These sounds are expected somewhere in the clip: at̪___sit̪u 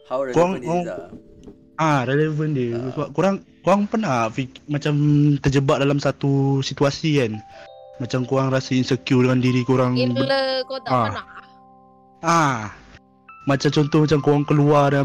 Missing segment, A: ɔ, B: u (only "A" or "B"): B